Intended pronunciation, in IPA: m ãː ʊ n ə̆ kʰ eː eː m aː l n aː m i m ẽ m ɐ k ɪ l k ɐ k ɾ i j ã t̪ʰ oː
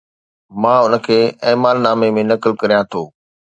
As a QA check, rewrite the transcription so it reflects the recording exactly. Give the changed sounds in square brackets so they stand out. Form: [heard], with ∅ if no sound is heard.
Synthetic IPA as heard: m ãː ʊ n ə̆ kʰ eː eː m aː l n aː m [e] m ẽ [n] ɐ k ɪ l k ɐ [∅] ɾ i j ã t̪ʰ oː